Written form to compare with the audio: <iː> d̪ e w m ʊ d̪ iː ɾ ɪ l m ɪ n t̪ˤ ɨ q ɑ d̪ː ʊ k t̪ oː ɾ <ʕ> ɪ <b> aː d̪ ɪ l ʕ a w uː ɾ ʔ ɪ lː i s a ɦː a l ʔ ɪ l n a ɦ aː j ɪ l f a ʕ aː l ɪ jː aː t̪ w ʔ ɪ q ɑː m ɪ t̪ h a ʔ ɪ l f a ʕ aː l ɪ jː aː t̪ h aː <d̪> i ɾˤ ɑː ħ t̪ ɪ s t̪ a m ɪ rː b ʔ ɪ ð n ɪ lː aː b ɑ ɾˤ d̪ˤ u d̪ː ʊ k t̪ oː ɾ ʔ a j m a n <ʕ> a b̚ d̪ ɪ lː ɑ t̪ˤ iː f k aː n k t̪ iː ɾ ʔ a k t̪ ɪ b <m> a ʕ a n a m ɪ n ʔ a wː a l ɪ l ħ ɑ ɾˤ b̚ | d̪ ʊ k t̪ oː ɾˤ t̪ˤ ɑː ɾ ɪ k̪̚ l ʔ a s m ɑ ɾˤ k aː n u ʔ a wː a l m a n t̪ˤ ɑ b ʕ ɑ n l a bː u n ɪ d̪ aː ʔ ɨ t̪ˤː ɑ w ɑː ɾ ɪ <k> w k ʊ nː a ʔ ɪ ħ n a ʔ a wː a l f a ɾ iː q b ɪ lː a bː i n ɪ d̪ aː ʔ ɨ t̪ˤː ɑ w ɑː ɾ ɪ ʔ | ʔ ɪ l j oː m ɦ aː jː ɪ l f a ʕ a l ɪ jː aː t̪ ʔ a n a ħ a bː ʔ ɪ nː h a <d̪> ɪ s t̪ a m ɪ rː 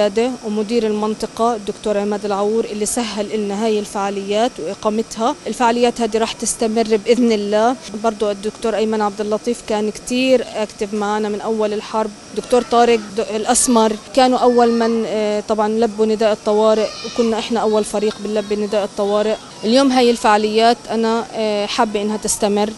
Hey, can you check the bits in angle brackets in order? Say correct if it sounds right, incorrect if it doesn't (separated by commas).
incorrect, correct, incorrect, correct, correct, correct, incorrect, incorrect